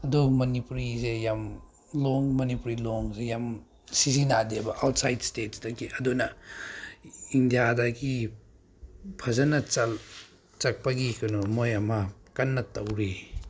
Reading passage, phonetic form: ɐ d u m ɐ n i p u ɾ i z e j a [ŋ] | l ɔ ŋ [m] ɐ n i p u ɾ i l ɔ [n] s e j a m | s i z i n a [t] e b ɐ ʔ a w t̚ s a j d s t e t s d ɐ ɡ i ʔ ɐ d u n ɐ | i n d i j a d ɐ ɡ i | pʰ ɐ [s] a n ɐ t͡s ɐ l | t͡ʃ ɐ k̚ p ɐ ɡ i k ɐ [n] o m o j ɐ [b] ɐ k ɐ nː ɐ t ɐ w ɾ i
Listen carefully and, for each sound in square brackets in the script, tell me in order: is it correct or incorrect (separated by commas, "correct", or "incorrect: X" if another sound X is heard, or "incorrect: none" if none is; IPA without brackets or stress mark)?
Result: incorrect: m, correct, incorrect: ŋ, incorrect: d, incorrect: z, correct, incorrect: m